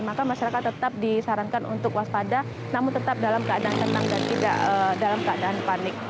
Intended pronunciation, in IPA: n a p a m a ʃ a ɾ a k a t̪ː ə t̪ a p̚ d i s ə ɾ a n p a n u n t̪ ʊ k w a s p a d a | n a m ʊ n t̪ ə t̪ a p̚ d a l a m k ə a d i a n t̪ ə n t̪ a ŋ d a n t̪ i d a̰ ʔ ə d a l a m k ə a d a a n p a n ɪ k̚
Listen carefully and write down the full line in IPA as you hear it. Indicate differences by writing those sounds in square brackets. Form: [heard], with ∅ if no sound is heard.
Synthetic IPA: [m] a [k] a m a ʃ a ɾ a k a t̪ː ə t̪ a p̚ d i s [a] ɾ a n [k] a n u n t̪ ʊ k w a s p a d a | n a m ʊ n t̪ ə t̪ a p̚ d a l a m k ə a d [a] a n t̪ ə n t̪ a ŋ d a n t̪ i d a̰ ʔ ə d a l a m k ə a d a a n p a n ɪ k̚